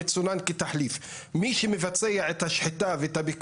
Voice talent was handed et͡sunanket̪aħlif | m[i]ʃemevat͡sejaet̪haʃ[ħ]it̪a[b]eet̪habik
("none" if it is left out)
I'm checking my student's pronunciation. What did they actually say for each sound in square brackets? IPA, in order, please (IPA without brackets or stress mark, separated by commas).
i, ħ, v